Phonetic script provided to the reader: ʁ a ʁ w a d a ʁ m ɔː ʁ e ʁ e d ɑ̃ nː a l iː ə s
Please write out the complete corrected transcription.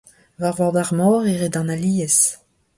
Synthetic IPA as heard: v a ʁ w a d a ʁ m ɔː ʁ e ʁ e d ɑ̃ n a l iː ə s